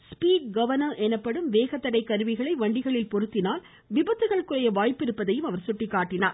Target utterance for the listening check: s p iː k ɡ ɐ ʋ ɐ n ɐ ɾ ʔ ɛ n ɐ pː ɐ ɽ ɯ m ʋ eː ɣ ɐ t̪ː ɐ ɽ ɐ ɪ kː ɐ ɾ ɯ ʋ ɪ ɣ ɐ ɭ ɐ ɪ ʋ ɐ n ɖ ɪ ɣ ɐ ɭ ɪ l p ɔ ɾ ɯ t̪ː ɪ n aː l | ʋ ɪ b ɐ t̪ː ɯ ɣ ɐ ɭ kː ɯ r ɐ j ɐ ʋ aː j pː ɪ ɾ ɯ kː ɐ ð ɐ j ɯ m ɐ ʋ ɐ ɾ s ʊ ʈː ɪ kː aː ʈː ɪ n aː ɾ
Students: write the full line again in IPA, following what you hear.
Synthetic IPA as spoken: s p iː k ɡ ɐ ʋ ɐ n ɐ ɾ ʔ ɛ n ɐ pː ɐ ɽ ɯ m ʋ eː ɣ ɐ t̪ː ɐ ɽ ɐ ɪ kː ɐ ɾ ɯ ʋ ɪ ɣ ɐ ɭ ɐ ɪ ʋ ɐ ɳ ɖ ɪ ɣ ɐ ɭ ɪ l p ɔ ɾ ɯ t̪ː ɪ n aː l | ʋ ɪ b ɐ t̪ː ɯ ɣ ɐ ɭ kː ɯ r ɐ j ɐ ʋ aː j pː ɪ ɾ ɯ pː ɐ ð ɐ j ɯ m ɐ ʋ ɐ ɾ s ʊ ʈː ɪ kː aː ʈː ɪ n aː ɾ